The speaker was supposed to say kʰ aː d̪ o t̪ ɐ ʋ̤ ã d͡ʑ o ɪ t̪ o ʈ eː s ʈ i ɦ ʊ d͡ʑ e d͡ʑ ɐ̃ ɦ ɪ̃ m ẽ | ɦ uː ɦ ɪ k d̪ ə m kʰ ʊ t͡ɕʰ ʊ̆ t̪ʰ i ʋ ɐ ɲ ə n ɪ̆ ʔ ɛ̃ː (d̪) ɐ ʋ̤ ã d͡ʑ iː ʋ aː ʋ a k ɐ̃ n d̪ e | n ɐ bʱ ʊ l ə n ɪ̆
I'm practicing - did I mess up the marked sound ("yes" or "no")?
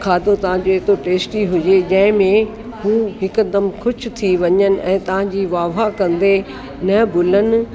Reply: yes